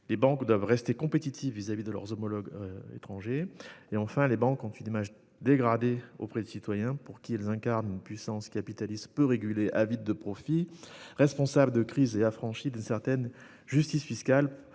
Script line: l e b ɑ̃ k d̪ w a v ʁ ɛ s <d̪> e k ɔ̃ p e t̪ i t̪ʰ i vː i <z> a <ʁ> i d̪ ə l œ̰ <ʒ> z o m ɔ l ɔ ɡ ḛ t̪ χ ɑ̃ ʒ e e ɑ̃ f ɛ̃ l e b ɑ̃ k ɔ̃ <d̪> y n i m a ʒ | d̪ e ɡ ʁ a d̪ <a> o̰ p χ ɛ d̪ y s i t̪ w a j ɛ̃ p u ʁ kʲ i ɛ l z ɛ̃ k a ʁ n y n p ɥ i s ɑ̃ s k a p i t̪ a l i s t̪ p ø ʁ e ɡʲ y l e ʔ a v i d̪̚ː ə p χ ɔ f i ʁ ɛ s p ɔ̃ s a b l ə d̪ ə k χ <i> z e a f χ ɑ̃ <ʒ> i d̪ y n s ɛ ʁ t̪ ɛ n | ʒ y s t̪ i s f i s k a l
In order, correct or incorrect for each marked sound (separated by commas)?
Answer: incorrect, correct, incorrect, incorrect, incorrect, incorrect, correct, incorrect